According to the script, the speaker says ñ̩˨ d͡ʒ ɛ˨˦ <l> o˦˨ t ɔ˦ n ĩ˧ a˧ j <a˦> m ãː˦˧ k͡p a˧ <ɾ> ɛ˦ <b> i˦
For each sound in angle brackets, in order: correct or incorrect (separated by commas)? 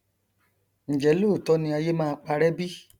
correct, incorrect, correct, correct